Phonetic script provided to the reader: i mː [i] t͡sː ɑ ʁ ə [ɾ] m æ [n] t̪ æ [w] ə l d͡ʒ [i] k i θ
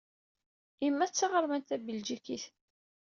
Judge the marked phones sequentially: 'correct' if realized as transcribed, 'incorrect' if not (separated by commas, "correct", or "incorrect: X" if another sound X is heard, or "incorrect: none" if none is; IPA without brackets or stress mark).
incorrect: æ, correct, correct, incorrect: b, correct